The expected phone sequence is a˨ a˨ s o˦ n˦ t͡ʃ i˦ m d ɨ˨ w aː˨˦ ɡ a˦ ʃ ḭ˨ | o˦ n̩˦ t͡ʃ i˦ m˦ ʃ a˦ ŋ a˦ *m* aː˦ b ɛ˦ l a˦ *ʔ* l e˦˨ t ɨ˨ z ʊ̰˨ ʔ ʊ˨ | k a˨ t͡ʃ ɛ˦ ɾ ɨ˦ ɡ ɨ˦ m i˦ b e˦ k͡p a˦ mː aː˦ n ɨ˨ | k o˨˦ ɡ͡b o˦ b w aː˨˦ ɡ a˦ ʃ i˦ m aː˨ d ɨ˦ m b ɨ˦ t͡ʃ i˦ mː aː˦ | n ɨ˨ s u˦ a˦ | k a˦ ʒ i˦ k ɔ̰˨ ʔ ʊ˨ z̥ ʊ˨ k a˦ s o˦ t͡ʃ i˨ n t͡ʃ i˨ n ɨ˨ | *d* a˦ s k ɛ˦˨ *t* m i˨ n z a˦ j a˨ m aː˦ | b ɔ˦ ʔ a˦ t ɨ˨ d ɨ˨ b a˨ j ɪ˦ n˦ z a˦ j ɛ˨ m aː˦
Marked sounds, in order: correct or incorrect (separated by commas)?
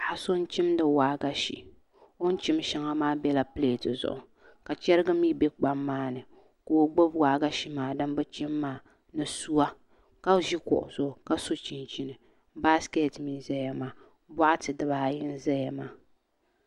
correct, incorrect, incorrect, correct